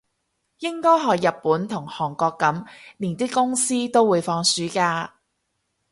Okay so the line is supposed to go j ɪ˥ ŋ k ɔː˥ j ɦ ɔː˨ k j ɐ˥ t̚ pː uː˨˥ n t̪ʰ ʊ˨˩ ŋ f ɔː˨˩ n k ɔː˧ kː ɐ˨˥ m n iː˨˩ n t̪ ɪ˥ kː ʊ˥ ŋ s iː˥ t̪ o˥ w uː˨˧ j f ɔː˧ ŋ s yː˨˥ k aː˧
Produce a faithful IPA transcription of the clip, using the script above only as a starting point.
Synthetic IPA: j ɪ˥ ŋ k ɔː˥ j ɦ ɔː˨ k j ɐ˨ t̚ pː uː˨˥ n t̪ʰ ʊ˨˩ ŋ h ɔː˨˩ ŋ k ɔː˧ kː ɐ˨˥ m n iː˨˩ n t̪ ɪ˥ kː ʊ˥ ŋ s iː˥ t̪ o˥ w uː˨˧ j f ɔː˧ ŋ s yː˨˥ k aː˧